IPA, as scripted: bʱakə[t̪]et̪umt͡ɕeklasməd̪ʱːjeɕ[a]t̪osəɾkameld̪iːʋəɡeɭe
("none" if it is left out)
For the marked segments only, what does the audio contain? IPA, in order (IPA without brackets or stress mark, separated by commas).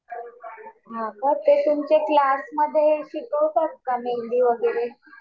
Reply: t̪, i